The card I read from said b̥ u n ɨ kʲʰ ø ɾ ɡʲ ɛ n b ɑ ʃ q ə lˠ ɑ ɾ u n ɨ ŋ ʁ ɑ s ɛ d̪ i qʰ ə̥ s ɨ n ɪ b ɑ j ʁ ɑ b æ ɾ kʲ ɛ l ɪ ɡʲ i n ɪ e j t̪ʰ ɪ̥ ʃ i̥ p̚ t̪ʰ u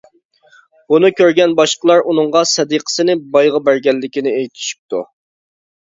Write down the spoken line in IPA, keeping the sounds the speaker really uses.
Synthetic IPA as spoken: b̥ u n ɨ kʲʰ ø ɾ ɡʲ ɛ n b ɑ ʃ q ə lˠ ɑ ɾ u n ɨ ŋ ʁ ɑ s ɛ d̪ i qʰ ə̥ s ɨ n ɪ b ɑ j ʁ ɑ b æ ɾ ɡʲ ɛ lː ɪ kʲ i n ɪ e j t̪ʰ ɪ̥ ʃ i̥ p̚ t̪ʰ u

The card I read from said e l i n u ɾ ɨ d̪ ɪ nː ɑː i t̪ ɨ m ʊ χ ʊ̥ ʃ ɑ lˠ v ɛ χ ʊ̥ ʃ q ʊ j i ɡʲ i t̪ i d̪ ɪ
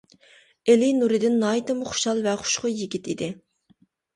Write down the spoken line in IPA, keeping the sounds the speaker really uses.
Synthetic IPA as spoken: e l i n u ɾ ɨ d̪ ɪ nː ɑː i t̪ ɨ m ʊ χ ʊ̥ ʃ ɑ lˠ v ɛ χ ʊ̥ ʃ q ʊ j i ɡʲ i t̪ i d̪ ɪ

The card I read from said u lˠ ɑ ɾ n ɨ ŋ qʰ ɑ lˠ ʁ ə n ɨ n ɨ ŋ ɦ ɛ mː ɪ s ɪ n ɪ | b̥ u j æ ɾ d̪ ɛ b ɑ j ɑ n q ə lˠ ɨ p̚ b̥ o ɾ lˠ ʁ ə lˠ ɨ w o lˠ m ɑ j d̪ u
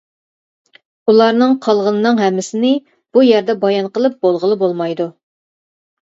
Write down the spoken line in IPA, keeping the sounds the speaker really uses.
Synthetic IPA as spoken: u lˠ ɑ ɾ n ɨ ŋ qʰ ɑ lˠ ʁ ə n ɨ n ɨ ŋ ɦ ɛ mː ɪ s ɪ n ɪ | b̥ u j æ ɾ d̪ ɛ b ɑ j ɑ n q ə lˠ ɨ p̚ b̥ o lˠ ʁ ə lˠ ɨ b o lˠ m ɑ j d̪ u

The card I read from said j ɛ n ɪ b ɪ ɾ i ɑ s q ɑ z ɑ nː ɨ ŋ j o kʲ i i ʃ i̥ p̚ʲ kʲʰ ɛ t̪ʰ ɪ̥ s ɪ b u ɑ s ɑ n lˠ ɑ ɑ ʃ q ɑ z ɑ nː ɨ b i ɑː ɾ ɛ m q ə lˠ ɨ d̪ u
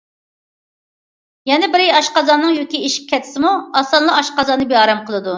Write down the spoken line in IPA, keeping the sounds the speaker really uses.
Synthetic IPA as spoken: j ɛ n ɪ b ɪ ɾ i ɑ ʃ q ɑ z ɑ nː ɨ ŋ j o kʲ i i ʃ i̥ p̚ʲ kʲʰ ɛ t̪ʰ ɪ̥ s ɪ m u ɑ s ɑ n lˠ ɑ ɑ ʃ q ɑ z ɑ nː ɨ b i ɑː ɾ ɛ m q ə lˠ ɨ d̪ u

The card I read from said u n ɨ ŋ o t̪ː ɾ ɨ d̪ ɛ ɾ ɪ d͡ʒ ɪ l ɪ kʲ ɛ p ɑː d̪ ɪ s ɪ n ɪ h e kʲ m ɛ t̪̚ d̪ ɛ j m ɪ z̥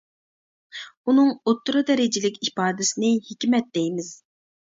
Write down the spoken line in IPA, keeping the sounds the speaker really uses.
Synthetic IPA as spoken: u n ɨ ŋ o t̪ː ɾ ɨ d̪ ɛ ɾ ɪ d͡ʒ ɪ l ɪ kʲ i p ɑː d̪ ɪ s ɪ n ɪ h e kʲ m ɛ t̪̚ d̪ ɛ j m ɪ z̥

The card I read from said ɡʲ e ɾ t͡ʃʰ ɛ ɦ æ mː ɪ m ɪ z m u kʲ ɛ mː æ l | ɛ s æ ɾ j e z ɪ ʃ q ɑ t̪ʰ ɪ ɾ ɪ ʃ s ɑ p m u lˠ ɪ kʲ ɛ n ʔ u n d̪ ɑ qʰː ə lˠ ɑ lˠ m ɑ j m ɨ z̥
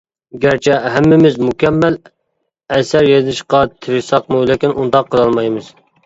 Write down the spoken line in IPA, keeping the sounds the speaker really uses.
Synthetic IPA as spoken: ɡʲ æ ɾ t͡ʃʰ ɛ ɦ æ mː ɪ m ɪ z m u kʲ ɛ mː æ l | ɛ s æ ɾ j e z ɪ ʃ q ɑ t̪ʰ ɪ ɾ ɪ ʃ s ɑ q m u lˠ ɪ kʲ i n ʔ u n d̪ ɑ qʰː ə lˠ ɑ lˠ m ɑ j m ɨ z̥

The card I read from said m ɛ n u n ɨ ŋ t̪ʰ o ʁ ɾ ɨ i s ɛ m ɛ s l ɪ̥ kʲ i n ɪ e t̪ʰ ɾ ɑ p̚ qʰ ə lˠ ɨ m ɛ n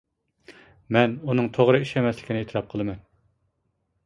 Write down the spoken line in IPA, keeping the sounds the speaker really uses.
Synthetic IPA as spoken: m ɛ n u n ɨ ŋ t̪ʰ o ʁ ɾ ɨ i ʃ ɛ m ɛ s l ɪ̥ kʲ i n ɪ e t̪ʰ ɾ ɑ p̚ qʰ ə lˠ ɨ m ɛ n

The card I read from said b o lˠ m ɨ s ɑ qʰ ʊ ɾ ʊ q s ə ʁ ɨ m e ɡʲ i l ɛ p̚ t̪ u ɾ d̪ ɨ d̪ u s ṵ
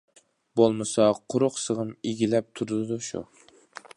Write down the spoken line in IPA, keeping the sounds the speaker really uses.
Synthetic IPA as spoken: b o lˠ m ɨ s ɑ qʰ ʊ ɾ ʊ q s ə ʁ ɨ m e ɡʲ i l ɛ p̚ t̪ʰ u ɾ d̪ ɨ d̪ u ʃ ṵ

